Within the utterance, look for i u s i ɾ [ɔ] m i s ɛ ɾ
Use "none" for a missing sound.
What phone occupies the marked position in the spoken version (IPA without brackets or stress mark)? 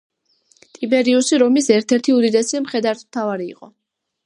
ɔ